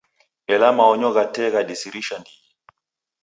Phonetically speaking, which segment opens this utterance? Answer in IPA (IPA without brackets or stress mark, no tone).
ɛ